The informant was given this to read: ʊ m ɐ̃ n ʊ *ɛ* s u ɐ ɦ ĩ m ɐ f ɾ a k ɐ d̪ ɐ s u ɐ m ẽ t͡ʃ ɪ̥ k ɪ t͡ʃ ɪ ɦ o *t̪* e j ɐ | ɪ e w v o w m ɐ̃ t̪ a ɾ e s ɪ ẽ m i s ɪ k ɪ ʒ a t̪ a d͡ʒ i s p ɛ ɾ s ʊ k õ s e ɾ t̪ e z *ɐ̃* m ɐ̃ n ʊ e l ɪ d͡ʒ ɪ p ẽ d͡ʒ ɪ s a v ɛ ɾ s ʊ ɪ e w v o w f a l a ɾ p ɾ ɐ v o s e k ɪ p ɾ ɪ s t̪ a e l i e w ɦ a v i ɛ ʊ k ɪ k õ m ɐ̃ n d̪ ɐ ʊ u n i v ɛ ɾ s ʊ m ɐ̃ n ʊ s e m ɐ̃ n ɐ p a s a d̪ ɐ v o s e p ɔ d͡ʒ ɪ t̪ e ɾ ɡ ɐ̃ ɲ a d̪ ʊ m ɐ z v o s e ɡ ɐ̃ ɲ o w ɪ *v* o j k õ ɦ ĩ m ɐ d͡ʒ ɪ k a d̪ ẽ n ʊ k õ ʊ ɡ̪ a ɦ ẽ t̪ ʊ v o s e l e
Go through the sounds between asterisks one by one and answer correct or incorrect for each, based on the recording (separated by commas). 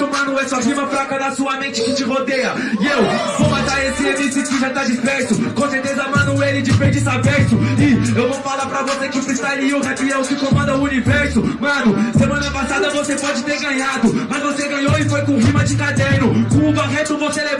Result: correct, incorrect, incorrect, incorrect